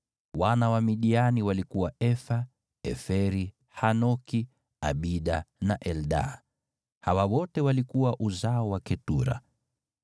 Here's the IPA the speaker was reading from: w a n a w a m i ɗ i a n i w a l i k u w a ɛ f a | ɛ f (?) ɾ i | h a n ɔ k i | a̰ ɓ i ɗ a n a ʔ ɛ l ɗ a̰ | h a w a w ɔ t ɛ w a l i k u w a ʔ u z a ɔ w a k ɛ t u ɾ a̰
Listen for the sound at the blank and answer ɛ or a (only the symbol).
ɛ